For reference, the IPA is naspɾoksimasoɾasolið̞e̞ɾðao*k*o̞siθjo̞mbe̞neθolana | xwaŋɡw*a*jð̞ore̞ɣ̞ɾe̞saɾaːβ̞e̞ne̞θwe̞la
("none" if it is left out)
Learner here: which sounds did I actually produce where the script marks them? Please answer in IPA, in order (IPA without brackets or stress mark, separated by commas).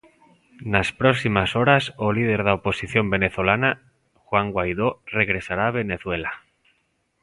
p, a